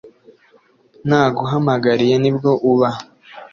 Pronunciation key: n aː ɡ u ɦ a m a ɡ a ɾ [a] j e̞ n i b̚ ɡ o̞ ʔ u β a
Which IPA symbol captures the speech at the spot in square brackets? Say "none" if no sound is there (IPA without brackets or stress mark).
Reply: i